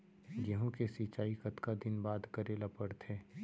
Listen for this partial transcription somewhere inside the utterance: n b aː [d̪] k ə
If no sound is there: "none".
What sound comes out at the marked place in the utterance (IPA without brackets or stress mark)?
d̪